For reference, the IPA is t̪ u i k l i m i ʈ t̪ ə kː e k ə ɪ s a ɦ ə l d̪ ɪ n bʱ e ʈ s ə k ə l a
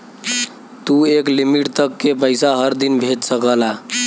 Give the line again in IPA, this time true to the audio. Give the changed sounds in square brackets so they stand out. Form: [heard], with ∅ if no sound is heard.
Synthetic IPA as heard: t̪ u [e] k l i m i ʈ t̪ ə kː e [p] ə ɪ s a ɦ ə [ɾ] d̪ [i] n bʱ e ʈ s ə k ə l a